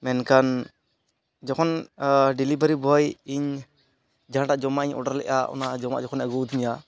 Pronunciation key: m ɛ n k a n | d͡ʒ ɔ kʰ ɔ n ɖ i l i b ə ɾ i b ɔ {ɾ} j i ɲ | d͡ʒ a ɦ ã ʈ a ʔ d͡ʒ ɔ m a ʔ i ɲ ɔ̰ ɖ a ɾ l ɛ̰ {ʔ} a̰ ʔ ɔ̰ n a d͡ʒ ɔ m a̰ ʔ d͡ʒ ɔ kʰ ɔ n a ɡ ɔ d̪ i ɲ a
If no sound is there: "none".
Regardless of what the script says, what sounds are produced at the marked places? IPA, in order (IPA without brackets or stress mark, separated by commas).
none, ʔ